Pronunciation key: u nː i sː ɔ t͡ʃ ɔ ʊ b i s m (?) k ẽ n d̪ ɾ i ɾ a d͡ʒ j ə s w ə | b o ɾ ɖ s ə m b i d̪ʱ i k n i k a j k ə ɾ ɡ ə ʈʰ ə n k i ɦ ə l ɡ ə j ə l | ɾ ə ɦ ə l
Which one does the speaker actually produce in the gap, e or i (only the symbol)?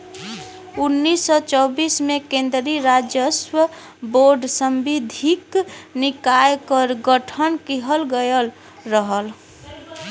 e